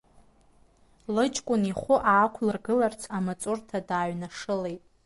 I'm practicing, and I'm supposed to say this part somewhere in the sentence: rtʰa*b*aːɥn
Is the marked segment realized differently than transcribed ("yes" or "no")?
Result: yes